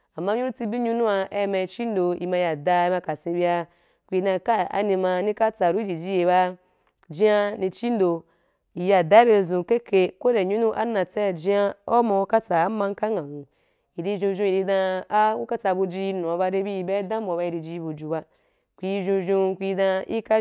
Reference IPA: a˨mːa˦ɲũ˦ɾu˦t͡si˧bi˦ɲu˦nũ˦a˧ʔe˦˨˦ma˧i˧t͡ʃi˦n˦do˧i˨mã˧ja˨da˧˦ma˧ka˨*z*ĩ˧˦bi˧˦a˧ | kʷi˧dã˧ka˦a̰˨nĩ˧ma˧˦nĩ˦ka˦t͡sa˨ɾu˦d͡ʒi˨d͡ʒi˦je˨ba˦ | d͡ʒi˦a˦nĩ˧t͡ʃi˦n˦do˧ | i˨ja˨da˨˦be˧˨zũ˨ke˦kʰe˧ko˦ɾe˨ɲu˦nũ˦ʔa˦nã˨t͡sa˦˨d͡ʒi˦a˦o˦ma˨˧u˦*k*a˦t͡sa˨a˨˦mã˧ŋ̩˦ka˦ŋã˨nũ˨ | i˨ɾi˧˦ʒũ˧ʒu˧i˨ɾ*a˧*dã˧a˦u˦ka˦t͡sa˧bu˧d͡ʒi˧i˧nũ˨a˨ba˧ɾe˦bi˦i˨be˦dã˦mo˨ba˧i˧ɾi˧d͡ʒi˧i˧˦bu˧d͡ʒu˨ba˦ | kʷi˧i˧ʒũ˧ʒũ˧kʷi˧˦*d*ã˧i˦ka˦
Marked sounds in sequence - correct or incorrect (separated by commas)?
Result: incorrect, correct, incorrect, correct